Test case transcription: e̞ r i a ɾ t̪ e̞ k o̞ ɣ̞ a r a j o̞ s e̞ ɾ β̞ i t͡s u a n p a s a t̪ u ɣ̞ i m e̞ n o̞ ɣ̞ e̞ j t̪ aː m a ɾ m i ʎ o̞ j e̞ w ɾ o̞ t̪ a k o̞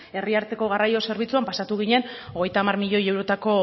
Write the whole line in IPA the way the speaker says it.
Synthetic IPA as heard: e̞ r i a ɾ t̪ e̞ k o̞ ɣ̞ a r a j o̞ s e̞ ɾ β̞ i t͡s u a m p a s a t̪ u ɣ̞ i ɲ e̞ n o̞ ɣ̞ e̞ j t̪ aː m a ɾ m i ʎ o̞ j e̞ w ɾ o̞ t̪ a k o̞